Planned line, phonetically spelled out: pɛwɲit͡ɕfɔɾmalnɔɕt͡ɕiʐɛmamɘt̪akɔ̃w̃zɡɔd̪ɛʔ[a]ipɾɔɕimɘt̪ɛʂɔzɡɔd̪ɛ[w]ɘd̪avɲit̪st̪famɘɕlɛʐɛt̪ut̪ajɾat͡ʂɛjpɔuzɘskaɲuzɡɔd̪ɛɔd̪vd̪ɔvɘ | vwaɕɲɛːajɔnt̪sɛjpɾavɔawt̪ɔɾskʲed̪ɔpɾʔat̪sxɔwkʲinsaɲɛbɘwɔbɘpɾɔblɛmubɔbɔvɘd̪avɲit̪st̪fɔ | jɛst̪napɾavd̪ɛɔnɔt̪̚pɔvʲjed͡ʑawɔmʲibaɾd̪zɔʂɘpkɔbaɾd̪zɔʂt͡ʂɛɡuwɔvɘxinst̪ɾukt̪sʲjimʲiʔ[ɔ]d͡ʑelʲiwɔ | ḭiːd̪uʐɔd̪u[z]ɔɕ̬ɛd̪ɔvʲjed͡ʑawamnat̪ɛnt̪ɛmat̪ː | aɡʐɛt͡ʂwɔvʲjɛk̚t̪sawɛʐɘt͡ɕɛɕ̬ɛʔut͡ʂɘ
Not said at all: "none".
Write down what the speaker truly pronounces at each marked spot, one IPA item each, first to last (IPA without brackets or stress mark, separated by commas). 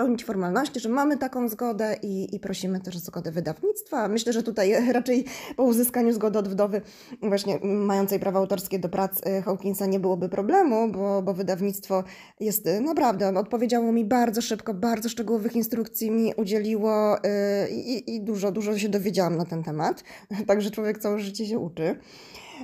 i, v, u, ʐ